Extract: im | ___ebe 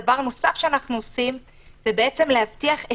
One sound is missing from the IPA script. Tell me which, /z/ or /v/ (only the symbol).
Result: z